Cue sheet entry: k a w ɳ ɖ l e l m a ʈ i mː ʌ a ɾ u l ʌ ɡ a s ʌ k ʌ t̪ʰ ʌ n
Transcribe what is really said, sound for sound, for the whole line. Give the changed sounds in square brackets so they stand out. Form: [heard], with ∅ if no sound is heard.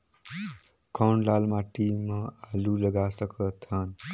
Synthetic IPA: k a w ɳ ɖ l [a] l m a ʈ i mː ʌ a [l] u l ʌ ɡ a s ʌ k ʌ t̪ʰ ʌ n